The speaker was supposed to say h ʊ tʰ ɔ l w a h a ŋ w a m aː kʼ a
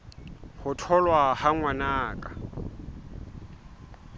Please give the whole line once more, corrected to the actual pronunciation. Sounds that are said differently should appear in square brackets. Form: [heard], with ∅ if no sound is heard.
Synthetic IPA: h ʊ tʰ ɔ l w a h a ŋ w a [n] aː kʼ a